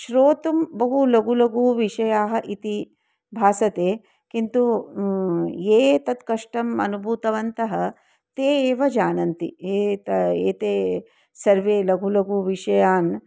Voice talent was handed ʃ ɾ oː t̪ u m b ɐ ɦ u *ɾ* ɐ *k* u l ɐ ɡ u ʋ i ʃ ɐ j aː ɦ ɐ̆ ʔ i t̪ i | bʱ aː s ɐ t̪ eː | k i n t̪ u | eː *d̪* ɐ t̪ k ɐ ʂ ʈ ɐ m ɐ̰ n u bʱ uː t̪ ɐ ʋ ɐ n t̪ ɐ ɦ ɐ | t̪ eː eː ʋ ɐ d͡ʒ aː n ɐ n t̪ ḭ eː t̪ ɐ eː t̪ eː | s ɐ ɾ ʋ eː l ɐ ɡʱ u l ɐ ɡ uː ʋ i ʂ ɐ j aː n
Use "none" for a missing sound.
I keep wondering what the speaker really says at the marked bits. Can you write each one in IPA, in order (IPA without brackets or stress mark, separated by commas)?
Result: l, ɡ, t̪